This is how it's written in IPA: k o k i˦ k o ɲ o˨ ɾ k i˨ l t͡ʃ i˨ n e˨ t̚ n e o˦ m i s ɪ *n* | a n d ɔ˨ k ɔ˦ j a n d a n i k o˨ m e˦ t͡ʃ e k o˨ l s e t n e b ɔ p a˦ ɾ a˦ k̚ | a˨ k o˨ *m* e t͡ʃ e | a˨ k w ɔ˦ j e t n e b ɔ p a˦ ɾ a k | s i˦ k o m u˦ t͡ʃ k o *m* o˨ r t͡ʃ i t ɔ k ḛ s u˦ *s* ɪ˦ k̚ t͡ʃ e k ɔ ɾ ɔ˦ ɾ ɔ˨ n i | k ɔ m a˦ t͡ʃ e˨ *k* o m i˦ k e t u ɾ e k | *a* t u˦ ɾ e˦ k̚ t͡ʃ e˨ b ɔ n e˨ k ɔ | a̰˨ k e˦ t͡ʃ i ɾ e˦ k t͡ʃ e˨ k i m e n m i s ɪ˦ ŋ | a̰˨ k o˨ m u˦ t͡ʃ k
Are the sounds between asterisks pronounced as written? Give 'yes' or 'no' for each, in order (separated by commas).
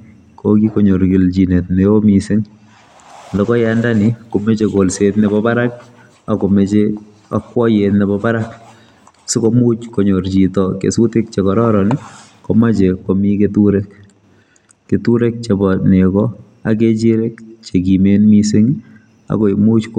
no, yes, no, no, yes, no